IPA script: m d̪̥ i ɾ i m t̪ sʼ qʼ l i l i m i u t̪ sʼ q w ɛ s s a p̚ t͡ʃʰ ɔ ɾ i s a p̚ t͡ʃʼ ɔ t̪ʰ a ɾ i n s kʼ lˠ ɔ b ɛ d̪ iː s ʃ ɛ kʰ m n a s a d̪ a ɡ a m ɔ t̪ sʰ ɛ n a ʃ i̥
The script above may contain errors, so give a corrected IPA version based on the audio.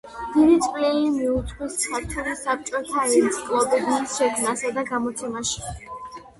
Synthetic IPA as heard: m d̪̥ i ɾ i t̪ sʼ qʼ l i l i m i u t̪ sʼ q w i s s a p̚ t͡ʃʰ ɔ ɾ i s a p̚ t͡ʃʼ ɔ t̪ʰ a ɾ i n s kʼ lˠ ɔ b ɛ d̪ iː s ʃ ɛ kʰ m n a s a d̪ a ɡ a m ɔ t̪ sʰ ɛ m a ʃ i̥